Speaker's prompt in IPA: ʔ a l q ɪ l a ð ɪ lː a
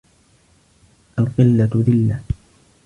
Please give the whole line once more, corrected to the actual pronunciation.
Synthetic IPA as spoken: ʔ a l q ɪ lː a ð ɪ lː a